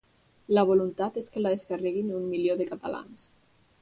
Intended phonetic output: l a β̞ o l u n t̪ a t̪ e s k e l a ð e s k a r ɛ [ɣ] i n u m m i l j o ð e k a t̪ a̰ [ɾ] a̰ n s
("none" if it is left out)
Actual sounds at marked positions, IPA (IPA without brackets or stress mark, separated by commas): ɣ, l